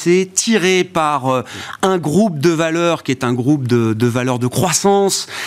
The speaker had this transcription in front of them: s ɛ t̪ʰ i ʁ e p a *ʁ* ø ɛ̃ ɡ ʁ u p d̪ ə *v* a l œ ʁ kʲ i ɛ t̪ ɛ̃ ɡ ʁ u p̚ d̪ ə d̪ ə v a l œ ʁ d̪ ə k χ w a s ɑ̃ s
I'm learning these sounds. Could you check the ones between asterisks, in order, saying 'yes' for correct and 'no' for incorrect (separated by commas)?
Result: yes, yes